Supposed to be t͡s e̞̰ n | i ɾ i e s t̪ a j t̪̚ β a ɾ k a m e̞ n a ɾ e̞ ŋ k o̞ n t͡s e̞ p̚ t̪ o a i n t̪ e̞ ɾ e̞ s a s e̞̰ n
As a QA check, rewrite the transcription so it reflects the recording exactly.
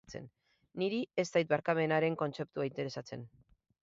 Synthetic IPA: t͡s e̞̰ nː | i ɾ i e s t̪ a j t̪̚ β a ɾ k a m e̞ n a ɾ e̞ ŋ k o̞ n t͡s e̞ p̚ t̪ u a i n t̪ e̞ ɾ e̞ s a t͡s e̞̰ n

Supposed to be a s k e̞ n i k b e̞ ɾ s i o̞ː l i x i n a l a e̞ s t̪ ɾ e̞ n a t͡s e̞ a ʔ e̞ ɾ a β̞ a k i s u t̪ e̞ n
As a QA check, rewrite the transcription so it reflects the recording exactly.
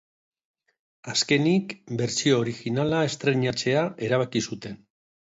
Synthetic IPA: a s k e̞ n i k b e̞ ɾ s i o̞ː ɾ i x i n a l a e̞ s t̪ ɾ e̞ ɲ a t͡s e̞ a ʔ e̞ ɾ a β̞ a k i s u t̪ e̞ n

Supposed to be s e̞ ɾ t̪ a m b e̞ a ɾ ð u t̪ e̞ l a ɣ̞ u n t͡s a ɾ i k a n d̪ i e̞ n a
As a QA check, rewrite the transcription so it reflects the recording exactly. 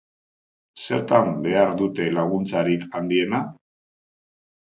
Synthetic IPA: s e̞ ɾ t̪ a m b e̞ a ɾ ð u t̪ e̞ l a ɣ̞ u n t͡s a ɾ i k a n d̪ i e̞ n a

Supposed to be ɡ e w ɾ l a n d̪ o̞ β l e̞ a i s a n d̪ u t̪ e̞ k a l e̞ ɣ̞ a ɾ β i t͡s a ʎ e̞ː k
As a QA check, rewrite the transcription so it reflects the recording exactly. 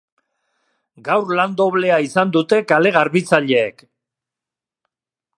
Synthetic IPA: ɡ a w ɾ l a n d̪ o̞ β l e̞ a i s a n d̪ u t̪ e̞ k a l e̞ ɣ̞ a ɾ β i t͡s a ʎ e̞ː k

